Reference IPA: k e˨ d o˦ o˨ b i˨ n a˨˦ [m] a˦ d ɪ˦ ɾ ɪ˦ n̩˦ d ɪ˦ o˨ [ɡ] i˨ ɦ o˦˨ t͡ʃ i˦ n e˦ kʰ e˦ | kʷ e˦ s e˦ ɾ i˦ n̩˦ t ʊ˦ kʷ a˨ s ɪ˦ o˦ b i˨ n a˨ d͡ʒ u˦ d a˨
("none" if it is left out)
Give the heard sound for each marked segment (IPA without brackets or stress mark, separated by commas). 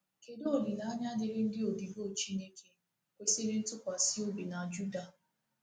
ɲ, d